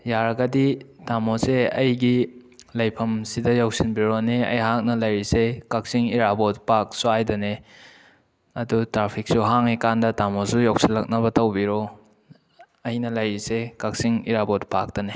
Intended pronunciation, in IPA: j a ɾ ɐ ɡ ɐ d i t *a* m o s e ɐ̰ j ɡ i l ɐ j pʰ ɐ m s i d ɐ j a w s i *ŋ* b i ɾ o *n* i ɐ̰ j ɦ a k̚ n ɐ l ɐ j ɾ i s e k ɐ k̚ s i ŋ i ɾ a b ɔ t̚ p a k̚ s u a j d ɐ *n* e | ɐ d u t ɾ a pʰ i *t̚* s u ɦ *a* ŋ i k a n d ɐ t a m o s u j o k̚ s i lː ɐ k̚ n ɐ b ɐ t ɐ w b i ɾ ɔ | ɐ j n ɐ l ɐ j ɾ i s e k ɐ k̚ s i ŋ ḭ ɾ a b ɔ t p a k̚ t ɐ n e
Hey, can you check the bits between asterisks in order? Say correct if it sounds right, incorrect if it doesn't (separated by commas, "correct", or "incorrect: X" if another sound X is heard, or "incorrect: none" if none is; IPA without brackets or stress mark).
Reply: correct, incorrect: n, correct, correct, incorrect: k̚, correct